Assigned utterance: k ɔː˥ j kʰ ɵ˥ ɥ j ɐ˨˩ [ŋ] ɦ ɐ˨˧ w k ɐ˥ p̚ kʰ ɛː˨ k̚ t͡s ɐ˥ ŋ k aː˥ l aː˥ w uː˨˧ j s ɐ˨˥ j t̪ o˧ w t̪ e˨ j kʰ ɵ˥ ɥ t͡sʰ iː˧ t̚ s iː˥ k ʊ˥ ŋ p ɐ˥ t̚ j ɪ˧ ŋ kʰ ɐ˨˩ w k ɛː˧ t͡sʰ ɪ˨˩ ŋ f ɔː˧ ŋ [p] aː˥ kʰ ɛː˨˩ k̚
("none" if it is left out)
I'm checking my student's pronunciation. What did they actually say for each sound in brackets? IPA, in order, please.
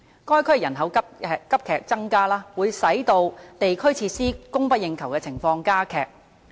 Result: n, k

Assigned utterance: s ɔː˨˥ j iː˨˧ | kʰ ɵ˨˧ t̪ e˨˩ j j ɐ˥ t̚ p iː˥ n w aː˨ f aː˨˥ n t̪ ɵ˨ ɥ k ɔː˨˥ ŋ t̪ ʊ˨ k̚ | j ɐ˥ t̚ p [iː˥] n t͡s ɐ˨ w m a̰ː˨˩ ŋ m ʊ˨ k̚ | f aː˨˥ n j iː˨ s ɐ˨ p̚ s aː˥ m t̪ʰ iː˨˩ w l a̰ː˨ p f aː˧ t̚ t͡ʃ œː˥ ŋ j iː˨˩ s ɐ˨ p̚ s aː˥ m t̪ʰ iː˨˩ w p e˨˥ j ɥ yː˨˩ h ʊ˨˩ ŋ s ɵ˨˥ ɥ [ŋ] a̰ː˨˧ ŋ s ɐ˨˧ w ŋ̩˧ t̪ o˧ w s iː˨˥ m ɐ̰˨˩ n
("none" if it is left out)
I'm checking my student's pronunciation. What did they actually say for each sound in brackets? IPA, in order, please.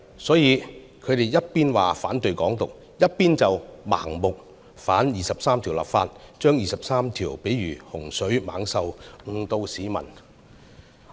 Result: iː˥, m

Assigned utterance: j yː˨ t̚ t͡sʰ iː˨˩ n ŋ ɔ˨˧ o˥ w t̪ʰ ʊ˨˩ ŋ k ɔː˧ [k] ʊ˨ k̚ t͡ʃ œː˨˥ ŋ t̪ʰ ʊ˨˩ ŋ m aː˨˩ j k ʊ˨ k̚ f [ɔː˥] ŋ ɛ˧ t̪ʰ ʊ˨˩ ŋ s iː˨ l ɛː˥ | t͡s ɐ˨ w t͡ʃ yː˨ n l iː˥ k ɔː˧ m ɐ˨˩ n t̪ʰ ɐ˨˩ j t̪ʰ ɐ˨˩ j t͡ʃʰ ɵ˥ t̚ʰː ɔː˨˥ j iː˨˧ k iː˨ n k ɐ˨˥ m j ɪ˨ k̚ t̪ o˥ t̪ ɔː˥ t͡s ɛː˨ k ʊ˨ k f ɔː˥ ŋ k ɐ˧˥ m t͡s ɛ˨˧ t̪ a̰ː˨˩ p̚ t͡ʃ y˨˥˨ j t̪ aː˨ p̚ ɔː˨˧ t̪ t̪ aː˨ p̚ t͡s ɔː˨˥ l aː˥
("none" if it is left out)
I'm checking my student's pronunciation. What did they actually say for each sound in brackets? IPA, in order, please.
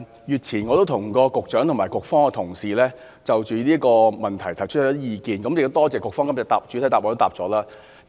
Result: k, ɔː˥

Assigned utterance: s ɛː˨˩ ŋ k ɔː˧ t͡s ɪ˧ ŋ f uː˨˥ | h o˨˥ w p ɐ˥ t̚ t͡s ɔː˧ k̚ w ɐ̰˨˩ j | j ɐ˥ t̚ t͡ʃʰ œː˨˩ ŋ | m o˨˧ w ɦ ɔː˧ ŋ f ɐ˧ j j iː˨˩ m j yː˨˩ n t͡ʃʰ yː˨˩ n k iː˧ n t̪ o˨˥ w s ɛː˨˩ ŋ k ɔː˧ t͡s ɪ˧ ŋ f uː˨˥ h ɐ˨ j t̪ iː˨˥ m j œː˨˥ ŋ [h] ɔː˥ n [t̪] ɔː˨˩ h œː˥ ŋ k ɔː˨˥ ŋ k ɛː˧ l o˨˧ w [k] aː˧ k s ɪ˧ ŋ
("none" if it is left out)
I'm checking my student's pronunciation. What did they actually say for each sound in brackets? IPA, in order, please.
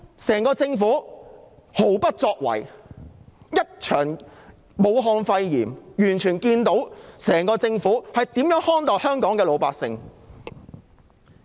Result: h, t̪, p

